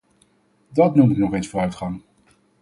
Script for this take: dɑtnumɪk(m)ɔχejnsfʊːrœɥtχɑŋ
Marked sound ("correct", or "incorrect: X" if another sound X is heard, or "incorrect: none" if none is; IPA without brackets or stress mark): incorrect: n